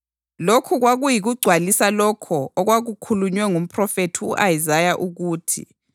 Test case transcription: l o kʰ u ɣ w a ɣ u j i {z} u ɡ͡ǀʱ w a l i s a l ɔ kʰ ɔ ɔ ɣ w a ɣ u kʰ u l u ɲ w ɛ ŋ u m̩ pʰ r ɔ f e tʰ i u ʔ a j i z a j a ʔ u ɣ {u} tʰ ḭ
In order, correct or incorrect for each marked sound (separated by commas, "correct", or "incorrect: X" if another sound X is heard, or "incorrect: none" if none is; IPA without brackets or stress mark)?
incorrect: ɣ, incorrect: uː